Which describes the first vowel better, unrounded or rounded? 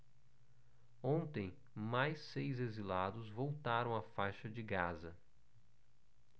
rounded